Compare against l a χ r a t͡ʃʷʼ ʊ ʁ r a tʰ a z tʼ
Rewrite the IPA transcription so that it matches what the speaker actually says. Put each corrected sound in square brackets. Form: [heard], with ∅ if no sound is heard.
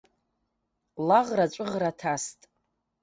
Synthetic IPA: l a [ʁ] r a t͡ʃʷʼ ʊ ʁ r a tʰ a [s] tʼ